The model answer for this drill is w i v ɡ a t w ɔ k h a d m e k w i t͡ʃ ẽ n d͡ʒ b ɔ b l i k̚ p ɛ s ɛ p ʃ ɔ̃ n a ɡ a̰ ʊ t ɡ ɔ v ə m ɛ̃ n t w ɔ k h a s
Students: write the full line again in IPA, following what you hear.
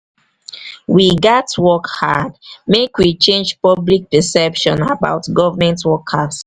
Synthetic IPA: w i ɡ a t w ɔ k h a d m e k w i t͡ʃ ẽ n d͡ʒ p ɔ b l i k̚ p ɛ s ɛ p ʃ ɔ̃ n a b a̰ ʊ t ɡ ɔ v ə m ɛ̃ n t w ɔ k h a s